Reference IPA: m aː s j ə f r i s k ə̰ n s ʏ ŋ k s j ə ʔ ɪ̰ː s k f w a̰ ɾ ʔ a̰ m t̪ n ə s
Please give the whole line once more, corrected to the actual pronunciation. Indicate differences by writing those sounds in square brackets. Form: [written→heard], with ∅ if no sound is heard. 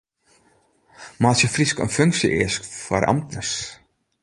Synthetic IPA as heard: m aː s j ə f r i s k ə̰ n [s→f] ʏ ŋ k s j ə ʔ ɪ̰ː s k f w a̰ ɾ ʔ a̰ m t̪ n ə s